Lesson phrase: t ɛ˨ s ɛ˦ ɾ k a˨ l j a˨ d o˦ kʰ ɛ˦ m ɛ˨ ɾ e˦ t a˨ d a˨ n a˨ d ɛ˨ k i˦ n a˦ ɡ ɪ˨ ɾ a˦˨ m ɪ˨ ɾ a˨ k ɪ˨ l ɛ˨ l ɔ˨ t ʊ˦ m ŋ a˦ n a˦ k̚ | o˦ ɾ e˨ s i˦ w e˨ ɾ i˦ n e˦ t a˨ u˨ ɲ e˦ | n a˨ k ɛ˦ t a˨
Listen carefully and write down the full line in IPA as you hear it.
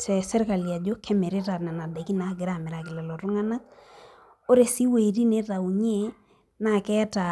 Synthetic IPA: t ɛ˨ s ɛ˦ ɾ k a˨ l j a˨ d͡ʒ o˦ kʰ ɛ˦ m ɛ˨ ɾ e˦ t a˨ n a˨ n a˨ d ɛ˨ k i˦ n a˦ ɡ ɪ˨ ɾ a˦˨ m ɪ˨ ɾ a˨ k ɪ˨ l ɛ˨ l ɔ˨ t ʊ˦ ŋ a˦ n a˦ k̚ | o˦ ɾ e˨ s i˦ w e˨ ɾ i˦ n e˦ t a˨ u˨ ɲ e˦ | n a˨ k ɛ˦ t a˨